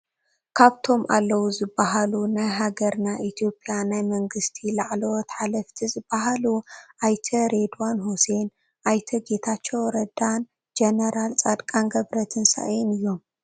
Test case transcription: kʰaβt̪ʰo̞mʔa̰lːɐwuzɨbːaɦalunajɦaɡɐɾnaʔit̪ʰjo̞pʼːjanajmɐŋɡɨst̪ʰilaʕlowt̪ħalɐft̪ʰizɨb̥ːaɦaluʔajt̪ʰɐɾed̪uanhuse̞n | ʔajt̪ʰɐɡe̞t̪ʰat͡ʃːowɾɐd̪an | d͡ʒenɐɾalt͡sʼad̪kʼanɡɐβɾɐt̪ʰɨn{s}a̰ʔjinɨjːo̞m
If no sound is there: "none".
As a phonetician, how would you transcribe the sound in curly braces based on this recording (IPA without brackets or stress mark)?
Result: s